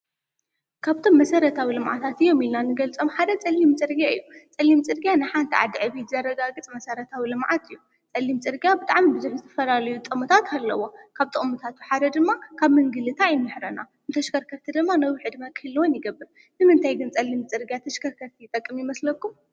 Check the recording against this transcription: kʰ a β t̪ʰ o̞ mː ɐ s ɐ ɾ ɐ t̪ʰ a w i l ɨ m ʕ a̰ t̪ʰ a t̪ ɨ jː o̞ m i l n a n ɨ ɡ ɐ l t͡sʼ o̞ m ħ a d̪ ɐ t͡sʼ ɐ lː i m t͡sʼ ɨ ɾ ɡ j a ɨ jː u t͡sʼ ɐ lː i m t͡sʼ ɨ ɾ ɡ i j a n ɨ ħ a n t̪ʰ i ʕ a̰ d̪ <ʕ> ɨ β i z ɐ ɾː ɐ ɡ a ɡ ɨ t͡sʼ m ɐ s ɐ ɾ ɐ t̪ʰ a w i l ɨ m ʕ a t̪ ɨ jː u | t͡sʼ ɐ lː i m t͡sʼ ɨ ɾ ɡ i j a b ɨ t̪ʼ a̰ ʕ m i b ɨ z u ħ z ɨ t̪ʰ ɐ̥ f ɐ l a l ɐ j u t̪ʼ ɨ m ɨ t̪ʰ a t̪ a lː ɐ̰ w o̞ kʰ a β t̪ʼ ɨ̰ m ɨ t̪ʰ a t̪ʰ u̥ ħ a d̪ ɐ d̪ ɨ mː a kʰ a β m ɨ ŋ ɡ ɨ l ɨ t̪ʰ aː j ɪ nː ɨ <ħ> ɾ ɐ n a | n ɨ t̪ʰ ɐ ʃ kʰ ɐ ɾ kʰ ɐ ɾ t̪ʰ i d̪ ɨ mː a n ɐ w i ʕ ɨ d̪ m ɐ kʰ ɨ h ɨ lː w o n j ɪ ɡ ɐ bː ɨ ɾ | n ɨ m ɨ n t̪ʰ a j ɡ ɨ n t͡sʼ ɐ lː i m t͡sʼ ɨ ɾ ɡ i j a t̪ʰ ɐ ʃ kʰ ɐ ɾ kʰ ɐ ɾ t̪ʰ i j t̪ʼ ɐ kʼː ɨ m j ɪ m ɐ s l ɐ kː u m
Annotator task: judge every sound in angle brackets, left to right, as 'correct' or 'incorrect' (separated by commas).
correct, correct